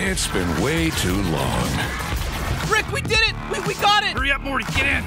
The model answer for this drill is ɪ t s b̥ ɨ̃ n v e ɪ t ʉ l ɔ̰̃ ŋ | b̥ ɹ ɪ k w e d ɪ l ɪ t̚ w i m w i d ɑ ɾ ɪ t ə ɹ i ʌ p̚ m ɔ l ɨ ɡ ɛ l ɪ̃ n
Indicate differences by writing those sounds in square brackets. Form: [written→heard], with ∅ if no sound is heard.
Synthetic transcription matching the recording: ɪ t s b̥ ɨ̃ n [v→w] e ɪ [t→tʰ] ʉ l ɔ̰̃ ŋ | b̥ ɹ ɪ k w [e→i] d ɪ [l→ɾ] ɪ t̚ w i [m→∅] w i [d→ɡ] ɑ ɾ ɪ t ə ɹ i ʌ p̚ m ɔ [l→ɹ] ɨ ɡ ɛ [l→ɾ] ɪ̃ n